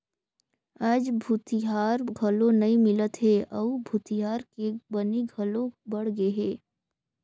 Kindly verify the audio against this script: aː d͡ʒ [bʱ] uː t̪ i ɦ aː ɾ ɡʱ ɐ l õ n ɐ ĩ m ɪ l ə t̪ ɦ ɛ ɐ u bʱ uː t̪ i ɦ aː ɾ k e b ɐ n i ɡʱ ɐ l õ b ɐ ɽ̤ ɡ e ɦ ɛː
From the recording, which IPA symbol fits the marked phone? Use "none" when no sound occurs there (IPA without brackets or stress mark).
bʱ